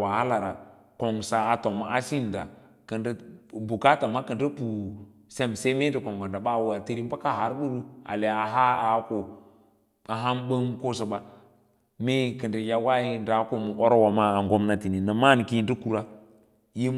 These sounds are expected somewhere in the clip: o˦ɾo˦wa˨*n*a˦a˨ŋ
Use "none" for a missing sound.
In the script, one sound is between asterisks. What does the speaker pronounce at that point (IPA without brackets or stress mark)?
m